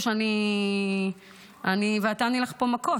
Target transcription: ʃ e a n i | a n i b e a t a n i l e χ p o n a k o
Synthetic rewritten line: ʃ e a n i | a n i v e a t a n i l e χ p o m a k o